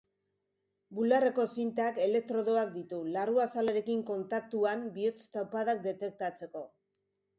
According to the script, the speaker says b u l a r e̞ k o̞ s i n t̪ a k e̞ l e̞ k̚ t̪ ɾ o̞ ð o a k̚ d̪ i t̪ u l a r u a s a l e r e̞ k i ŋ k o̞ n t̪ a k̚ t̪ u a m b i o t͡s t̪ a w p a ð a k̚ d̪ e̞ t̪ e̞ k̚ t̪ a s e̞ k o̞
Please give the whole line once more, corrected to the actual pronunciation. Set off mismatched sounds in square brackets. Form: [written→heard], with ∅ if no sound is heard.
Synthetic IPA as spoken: b u l a r e̞ k o̞ s i n t̪ a k e̞ l e̞ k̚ t̪ ɾ o̞ ð o a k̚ d̪ i t̪ u l a r u a s a l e [r→ɾ] e̞ k i ŋ k o̞ n t̪ a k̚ t̪ u a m b i o t͡s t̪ a w p a ð a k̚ d̪ e̞ t̪ e̞ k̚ t̪ a [s→t͡s] e̞ k o̞

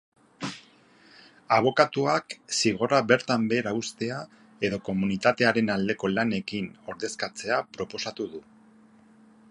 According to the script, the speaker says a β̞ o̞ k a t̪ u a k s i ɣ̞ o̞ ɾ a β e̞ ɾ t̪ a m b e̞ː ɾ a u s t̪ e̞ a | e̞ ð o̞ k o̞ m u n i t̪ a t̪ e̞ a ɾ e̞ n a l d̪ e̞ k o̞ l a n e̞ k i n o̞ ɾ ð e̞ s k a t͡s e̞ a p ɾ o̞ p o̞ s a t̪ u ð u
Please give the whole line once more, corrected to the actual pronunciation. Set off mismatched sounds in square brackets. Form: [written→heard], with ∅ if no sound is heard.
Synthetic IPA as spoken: a β̞ o̞ k a t̪ u a k s i ɣ̞ o̞ ɾ a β e̞ ɾ t̪ a m b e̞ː ɾ a u s t̪ e̞ a | e̞ ð o̞ k o̞ m u n i t̪ a t̪ e̞ a ɾ e̞ n a l d̪ e̞ k o̞ l a n e̞ k i n o̞ ɾ ð e̞ s k a t͡s e̞ a p ɾ o̞ p o̞ s a t̪ u ð u

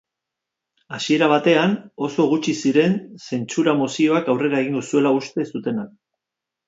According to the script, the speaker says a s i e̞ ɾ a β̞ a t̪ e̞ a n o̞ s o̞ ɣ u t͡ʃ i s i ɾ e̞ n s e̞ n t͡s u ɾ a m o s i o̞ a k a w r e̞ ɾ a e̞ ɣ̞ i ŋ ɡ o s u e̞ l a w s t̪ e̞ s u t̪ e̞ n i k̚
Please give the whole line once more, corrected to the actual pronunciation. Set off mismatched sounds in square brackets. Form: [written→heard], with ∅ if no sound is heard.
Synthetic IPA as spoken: a s i e̞ ɾ a β̞ a t̪ e̞ a n o̞ s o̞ ɣ u t͡ʃ i s i ɾ e̞ n s e̞ n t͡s u ɾ a m o s i o̞ a k a w r e̞ ɾ a e̞ ɣ̞ i ŋ ɡ o s u e̞ l a [w→u] s t̪ e̞ s u t̪ e̞ n [i→a] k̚

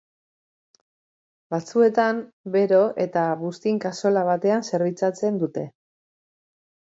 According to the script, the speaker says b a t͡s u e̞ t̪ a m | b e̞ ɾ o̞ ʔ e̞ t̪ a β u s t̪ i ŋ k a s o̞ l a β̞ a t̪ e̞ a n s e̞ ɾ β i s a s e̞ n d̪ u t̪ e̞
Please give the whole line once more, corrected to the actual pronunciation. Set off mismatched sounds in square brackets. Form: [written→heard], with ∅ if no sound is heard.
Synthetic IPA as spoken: b a t͡s u e̞ t̪ a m | b e̞ ɾ o̞ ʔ e̞ t̪ a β u s t̪ i ŋ k a s o̞ l a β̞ a t̪ e̞ a n s e̞ ɾ β i [s→t͡s] a [s→t͡s] e̞ n d̪ u t̪ e̞

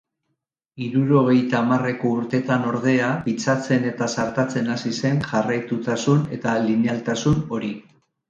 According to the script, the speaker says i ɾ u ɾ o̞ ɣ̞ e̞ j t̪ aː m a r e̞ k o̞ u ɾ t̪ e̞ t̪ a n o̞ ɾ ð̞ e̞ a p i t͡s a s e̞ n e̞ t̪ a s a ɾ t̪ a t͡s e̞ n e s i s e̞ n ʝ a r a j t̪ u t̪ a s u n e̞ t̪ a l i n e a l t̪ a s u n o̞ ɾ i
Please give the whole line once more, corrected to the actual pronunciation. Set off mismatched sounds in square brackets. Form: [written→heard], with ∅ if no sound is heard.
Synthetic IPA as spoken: i ɾ u ɾ o̞ ɣ̞ e̞ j t̪ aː m a r e̞ k o̞ u ɾ t̪ e̞ t̪ a n o̞ ɾ ð̞ e̞ a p i t͡s a [s→t͡s] e̞ n e̞ t̪ a s a ɾ t̪ a t͡s e̞ n [e→a] s i s e̞ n ʝ a r a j t̪ u t̪ a s u n e̞ t̪ a l i n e a l t̪ a s u n o̞ ɾ i

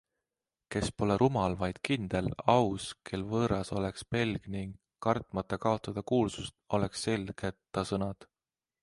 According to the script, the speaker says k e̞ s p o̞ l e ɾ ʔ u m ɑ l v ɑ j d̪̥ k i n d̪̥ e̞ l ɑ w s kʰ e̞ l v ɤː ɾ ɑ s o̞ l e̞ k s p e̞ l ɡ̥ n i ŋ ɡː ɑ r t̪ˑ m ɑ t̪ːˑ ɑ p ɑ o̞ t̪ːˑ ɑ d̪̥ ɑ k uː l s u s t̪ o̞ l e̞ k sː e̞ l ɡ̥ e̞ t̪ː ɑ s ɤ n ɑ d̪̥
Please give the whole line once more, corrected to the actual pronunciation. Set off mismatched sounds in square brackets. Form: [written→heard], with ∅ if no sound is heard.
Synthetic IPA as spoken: k e̞ s p o̞ l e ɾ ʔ u m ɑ l v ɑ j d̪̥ k i n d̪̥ e̞ l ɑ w s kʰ e̞ l v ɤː ɾ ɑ s o̞ l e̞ k s p e̞ l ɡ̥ n i ŋ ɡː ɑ r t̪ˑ m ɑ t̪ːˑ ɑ [p→k] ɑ o̞ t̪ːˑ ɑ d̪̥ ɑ k uː l s u s t̪ o̞ l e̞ k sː e̞ l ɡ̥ e̞ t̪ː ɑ s ɤ n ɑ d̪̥

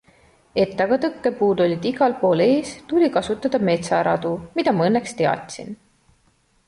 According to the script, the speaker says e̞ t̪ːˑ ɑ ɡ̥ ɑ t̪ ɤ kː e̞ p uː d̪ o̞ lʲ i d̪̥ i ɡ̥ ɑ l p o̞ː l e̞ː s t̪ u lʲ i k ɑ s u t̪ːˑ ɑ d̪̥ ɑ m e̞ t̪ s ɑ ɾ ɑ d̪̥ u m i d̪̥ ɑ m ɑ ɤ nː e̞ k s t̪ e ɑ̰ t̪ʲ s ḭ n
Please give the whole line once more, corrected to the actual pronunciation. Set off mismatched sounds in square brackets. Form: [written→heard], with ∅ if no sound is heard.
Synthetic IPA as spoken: e̞ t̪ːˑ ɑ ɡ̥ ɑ t̪ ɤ kː e̞ p uː d̪ o̞ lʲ i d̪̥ i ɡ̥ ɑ l p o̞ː l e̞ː s t̪ u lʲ i k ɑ s u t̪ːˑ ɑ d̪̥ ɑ m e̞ t̪ s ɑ ɾ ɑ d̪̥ u m i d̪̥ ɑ m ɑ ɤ nː e̞ k s t̪ e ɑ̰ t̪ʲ s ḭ n

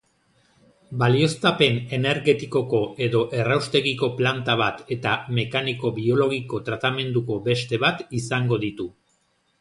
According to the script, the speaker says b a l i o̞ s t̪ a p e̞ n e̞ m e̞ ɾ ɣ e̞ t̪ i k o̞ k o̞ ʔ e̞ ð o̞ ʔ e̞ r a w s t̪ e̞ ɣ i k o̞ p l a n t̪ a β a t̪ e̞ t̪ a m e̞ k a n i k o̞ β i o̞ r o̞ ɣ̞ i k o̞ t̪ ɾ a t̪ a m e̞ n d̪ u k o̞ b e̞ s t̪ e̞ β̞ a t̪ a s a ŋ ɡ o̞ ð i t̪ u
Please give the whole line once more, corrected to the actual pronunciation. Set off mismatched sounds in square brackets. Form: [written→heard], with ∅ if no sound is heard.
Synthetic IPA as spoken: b a l i o̞ s t̪ a p e̞ n e̞ [m→n] e̞ ɾ ɣ e̞ t̪ i k o̞ k o̞ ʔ e̞ ð o̞ ʔ e̞ r a w s t̪ e̞ ɣ i k o̞ p l a n t̪ a β a t̪ e̞ t̪ a m e̞ k a n i k o̞ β i o̞ [r→l] o̞ ɣ̞ i k o̞ t̪ ɾ a t̪ a m e̞ n d̪ u k o̞ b e̞ s t̪ e̞ β̞ a t̪ [a→i] s a ŋ ɡ o̞ ð i t̪ u

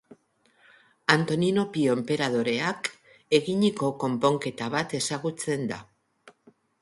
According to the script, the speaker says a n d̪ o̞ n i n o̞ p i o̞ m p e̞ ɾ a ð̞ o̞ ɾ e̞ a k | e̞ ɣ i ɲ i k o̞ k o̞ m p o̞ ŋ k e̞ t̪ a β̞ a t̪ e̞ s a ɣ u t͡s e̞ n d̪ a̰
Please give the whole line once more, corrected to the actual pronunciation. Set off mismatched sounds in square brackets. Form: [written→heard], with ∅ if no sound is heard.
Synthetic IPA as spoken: a n [d̪→t̪] o̞ n i n o̞ p i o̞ m p e̞ ɾ a ð̞ o̞ ɾ e̞ a k | e̞ ɣ i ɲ i k o̞ k o̞ m p o̞ ŋ k e̞ t̪ a β̞ a t̪ e̞ s a ɣ u t͡s e̞ n d̪ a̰

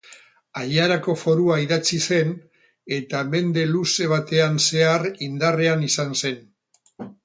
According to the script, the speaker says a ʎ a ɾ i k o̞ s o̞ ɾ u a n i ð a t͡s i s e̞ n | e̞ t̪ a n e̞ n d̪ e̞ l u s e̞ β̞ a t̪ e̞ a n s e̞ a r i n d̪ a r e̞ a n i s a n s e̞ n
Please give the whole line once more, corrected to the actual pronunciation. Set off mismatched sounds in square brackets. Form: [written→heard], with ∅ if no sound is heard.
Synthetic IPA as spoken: a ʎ a ɾ [i→a] k o̞ [s→f] o̞ ɾ u a [n→∅] i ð a t͡s i s e̞ n | e̞ t̪ a [n→m] e̞ n d̪ e̞ l u s e̞ β̞ a t̪ e̞ a n s e̞ a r i n d̪ a r e̞ a n i s a n s e̞ n

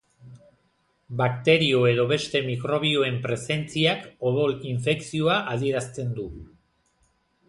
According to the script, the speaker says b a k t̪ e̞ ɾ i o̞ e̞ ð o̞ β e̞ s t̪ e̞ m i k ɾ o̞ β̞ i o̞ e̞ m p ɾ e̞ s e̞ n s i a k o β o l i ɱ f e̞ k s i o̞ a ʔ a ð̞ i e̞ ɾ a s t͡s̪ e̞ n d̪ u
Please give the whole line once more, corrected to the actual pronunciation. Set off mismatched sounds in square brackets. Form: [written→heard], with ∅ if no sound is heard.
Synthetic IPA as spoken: b a k t̪ e̞ ɾ i o̞ e̞ ð o̞ β e̞ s t̪ e̞ m i k ɾ o̞ β̞ i o̞ e̞ m p ɾ e̞ s e̞ n [s→t͡s] i a k o β o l i ɱ f e̞ k s i o̞ a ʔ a ð̞ i e̞ ɾ a s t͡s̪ e̞ n d̪ u

